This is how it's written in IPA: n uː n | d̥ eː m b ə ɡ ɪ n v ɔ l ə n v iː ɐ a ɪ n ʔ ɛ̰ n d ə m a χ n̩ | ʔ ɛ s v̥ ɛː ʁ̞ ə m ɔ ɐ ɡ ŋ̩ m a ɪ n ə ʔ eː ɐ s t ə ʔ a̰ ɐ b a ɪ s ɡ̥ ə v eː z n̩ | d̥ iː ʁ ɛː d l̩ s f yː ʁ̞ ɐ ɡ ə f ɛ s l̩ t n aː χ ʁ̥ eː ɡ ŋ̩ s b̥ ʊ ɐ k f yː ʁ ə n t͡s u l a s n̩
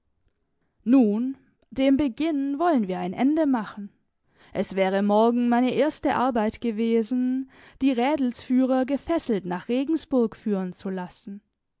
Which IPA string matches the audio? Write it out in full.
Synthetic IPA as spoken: n uː n | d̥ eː m b ə ɡ ɪ n v ɔ l ə n v iː ɐ a ɪ n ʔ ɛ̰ n d ə m a χ n̩ | ʔ ɛ s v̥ ɛː ʁ̞ ə m ɔ ɐ ɡ ŋ̩ m a ɪ n ə ʔ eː ɐ s t ə ʔ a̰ ɐ b a ɪ t ɡ̥ ə v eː z n̩ | d̥ iː ʁ ɛː d l̩ s f yː ʁ̞ ɐ ɡ ə f ɛ s l̩ t n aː χ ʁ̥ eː ɡ ŋ̩ s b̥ ʊ ɐ k f yː ʁ ə n t͡s u l a s n̩